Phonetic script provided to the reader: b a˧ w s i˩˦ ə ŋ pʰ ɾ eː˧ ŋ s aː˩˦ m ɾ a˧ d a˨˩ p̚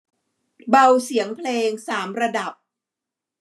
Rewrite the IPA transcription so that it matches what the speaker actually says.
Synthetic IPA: b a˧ w s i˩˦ ə ŋ pʰ l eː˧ ŋ s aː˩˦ m ɾ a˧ d a˨˩ p̚